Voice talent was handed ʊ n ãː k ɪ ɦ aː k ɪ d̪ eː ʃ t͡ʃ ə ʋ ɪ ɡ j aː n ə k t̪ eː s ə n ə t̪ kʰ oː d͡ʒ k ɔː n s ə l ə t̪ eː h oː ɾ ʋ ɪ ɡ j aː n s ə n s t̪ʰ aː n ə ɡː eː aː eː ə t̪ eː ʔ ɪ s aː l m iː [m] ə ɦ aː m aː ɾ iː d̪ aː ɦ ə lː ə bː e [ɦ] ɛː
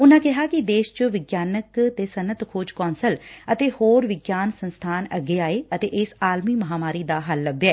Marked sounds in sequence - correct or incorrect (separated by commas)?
correct, incorrect